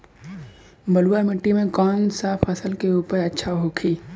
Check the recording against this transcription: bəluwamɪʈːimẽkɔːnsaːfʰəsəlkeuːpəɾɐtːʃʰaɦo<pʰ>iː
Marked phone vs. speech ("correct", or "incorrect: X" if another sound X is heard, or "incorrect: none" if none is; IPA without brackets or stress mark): incorrect: kʰ